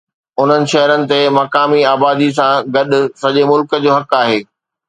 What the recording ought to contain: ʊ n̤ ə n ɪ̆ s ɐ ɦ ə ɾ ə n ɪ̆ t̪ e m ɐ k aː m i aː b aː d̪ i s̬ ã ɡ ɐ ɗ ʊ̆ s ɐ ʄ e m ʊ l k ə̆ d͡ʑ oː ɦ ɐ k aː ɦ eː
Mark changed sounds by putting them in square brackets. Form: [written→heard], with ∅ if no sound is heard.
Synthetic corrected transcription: ʊ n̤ ə n ɪ̆ [s→ʃ] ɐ ɦ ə ɾ ə n ɪ̆ t̪ e m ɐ k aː m i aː b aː d̪ i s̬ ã ɡ ɐ ɗ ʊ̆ s ɐ ʄ e m ʊ l k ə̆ d͡ʑ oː ɦ ɐ k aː ɦ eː